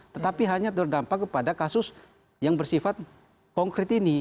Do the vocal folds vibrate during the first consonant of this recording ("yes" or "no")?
no